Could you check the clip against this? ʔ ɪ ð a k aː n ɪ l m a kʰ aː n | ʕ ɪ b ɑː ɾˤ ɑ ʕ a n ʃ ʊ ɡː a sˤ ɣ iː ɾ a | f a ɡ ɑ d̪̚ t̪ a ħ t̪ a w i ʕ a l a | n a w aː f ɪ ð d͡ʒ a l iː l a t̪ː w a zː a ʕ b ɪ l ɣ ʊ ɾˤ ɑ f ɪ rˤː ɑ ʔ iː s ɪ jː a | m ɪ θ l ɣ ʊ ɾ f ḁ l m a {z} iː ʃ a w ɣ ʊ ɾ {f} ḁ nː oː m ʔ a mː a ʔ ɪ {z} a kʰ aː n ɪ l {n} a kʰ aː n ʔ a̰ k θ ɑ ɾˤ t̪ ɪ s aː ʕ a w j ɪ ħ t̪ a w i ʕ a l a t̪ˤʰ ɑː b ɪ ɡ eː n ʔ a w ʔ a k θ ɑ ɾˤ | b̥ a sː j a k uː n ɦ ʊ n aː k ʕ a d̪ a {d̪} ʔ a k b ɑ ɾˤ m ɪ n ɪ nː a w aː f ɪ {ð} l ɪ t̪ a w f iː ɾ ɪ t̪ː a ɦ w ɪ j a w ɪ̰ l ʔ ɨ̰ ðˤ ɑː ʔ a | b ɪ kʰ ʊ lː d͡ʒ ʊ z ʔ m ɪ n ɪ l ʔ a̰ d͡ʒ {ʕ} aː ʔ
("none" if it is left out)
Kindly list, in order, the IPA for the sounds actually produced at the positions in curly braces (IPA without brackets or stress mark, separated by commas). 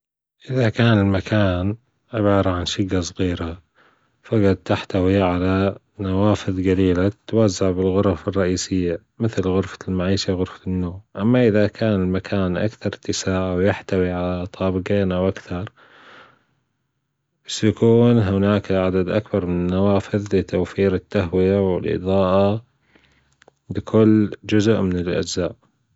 ʕ, f, ð, m, d̪, ð, z